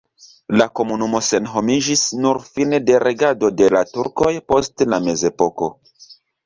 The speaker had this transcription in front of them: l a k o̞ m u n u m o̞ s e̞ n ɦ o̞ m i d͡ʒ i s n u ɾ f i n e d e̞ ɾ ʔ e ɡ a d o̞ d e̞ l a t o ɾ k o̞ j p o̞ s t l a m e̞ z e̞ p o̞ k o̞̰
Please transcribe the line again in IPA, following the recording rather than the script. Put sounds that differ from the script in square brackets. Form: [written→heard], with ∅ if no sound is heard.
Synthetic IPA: l a k o̞ m u n u m o̞ s e̞ n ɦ o̞ m i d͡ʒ i s n u ɾ f i n e d e̞ ɾ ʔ e ɡ a d o̞ d e̞ l a t [o→u] ɾ k o̞ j p o̞ s t l a m e̞ z e̞ p o̞ k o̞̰